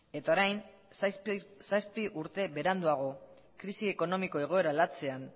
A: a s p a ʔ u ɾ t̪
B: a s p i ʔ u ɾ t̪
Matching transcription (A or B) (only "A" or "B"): B